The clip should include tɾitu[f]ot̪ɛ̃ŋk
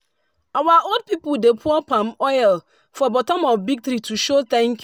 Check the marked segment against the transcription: incorrect: ʃ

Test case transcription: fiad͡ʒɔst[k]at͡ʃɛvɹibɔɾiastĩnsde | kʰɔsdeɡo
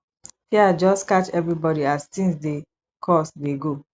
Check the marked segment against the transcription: correct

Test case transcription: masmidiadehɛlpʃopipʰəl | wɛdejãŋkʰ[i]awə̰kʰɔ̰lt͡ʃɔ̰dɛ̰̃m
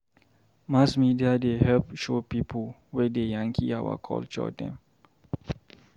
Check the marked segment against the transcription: correct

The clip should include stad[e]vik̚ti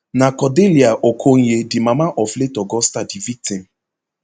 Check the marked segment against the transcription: incorrect: i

